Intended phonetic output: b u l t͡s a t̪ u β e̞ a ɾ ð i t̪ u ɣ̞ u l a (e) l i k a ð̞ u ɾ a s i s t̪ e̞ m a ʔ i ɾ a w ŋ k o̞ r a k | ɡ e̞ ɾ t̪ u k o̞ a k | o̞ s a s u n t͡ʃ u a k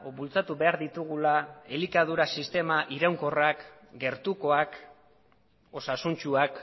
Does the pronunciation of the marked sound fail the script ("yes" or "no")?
no